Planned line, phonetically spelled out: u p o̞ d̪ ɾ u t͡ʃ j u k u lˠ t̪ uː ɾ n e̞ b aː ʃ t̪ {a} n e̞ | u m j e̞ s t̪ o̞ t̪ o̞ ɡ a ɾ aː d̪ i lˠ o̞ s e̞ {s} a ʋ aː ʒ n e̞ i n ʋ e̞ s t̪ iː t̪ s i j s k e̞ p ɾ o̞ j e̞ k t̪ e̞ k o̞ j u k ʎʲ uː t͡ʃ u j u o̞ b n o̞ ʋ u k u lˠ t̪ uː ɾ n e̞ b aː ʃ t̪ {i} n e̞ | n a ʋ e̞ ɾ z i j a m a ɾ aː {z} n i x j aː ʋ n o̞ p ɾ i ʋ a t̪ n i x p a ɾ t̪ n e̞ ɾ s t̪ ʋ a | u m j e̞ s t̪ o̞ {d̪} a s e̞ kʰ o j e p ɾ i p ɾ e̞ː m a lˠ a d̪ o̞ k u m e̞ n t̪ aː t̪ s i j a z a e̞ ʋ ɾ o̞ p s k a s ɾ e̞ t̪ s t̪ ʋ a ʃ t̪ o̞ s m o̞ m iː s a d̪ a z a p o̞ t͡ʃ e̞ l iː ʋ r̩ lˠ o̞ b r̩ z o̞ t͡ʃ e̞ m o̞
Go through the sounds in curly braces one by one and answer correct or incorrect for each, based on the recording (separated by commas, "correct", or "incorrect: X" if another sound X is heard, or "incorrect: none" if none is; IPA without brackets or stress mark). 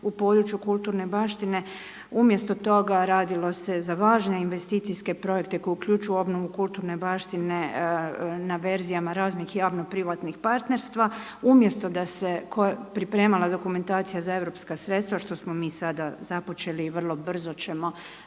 incorrect: i, incorrect: z, correct, correct, correct